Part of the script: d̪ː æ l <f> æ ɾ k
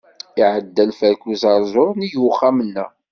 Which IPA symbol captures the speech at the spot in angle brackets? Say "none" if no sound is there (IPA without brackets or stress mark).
f